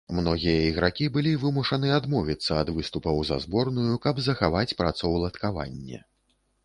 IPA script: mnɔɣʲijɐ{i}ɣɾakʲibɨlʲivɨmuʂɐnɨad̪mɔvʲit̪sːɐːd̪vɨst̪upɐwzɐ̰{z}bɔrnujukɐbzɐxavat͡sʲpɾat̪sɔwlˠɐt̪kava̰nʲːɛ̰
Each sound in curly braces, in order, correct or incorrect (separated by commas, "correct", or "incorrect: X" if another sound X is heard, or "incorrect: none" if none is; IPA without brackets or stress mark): correct, correct